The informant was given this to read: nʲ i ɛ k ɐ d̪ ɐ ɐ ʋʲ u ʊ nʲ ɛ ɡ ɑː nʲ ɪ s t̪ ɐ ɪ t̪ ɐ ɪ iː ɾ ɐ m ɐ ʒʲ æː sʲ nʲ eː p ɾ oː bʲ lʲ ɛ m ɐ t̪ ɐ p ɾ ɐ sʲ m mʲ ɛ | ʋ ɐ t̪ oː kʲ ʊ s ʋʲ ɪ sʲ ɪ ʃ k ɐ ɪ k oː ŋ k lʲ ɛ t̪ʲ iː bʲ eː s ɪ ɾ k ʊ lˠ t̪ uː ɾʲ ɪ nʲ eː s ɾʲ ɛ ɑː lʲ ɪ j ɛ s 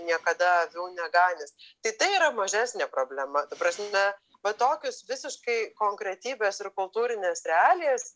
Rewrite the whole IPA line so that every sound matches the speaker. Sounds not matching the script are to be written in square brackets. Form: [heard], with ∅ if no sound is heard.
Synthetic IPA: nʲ i ɛ k ɐ d̪ ɐ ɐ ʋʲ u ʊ nʲ ɛ ɡ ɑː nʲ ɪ s t̪ ɐ ɪ t̪ ɐ ɪ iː ɾ ɐ m ɐ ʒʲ æː sʲ nʲ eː p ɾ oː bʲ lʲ ɛ m ɐ t̪ ɐ p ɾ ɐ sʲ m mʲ ɛ | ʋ ɐ t̪ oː kʲ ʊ s ʋʲ ɪ sʲ ɪ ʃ k ɐ ɪ k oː ŋ k [ɾʲ] ɛ t̪ʲ iː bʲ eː s ɪ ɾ k ʊ lˠ t̪ uː ɾʲ ɪ nʲ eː s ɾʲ ɛ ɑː lʲ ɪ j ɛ s